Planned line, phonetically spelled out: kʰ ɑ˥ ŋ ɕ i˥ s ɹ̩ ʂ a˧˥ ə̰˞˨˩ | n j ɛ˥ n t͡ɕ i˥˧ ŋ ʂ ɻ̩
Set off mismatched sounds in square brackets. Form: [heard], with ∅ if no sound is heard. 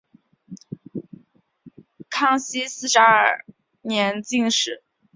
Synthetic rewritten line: kʰ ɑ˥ ŋ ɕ i˥ s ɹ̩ ʂ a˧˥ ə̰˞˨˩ | n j [ɛ˧˥] n t͡ɕ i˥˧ ŋ ʂ ɻ̩